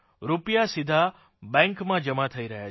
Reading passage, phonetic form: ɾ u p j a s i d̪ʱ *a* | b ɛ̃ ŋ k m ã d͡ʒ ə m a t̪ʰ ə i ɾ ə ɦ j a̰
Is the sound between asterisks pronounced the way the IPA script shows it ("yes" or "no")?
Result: yes